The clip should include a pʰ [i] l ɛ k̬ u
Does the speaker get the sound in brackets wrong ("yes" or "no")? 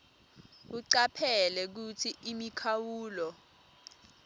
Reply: yes